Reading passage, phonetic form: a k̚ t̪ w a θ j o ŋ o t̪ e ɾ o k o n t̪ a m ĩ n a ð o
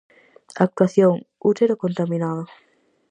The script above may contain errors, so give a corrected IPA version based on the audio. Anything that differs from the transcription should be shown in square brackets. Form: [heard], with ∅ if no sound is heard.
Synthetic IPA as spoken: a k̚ t̪ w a θ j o ŋ [u] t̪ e ɾ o k o n t̪ a m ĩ n a ð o